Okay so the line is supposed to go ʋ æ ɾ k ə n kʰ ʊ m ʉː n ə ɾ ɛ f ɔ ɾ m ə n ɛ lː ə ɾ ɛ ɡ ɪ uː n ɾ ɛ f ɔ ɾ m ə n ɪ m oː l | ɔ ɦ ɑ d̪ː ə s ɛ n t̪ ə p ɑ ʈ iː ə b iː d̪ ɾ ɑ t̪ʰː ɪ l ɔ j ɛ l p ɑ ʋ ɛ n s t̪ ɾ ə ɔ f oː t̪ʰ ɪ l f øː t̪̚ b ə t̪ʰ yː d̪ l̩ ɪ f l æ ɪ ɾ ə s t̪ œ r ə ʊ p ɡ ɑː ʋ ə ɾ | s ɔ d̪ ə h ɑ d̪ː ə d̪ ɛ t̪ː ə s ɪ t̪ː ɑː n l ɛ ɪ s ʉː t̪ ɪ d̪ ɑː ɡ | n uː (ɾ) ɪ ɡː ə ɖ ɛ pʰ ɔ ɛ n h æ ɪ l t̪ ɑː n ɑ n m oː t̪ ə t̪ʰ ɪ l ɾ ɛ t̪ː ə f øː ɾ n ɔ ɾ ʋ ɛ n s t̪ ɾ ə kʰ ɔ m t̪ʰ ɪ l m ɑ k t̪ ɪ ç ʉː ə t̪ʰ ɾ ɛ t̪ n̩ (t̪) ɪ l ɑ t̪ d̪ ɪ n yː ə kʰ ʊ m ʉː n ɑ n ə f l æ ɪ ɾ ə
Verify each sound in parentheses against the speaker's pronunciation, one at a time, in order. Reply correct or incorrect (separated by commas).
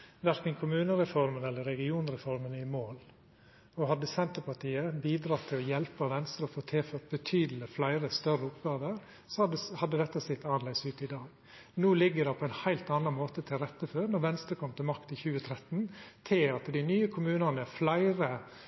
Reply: incorrect, incorrect